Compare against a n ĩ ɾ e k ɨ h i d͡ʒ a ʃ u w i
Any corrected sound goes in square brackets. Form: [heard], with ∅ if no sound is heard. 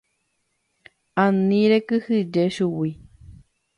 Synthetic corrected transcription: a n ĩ ɾ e k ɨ h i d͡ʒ [e] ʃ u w i